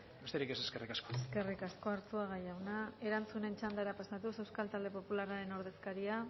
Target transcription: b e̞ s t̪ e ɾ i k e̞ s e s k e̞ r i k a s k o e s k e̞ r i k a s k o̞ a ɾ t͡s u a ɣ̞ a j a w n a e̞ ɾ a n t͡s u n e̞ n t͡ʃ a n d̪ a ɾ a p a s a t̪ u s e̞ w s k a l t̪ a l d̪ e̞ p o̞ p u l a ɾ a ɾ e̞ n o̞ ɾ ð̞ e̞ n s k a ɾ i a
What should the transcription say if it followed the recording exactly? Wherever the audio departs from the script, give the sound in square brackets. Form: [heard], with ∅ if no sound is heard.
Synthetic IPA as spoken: b e̞ s t̪ e ɾ i k e̞ s e s k e̞ r i k a s k o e s k e̞ r i k a s k o̞ a ɾ t͡s u a ɣ̞ a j a w n a e̞ ɾ a n t͡s u n e̞ n t͡ʃ a n d̪ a ɾ a p a s a t̪ u s e̞ w s k a l t̪ a l d̪ e̞ p o̞ p u l a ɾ a ɾ e̞ n o̞ ɾ ð̞ e̞ [∅] s k a ɾ i a